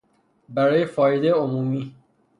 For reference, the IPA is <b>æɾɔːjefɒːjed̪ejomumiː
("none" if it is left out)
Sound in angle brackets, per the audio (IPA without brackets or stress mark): b